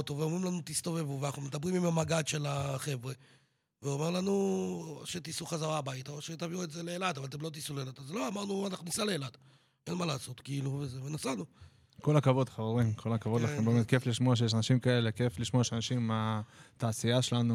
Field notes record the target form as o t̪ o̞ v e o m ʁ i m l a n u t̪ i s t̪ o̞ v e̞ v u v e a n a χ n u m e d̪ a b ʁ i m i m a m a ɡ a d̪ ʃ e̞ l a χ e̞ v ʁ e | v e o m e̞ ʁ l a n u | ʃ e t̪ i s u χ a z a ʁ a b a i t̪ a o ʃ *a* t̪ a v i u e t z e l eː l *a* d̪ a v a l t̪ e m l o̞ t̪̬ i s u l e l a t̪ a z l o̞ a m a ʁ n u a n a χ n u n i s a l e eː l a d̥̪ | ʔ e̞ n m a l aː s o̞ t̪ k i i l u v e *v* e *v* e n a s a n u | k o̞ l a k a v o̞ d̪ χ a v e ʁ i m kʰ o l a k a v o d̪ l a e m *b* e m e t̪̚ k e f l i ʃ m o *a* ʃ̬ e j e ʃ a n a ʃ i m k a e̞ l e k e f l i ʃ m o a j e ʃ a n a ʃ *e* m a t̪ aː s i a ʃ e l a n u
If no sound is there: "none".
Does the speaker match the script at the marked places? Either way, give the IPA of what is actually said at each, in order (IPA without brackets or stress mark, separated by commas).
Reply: e, a, z, v, b, a, i